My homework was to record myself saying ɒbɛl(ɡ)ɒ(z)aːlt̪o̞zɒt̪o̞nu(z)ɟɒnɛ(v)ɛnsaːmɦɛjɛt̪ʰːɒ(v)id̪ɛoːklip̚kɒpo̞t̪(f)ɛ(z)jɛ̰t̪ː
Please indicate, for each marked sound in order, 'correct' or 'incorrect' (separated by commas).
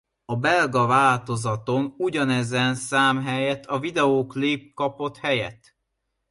correct, incorrect, incorrect, incorrect, correct, incorrect, incorrect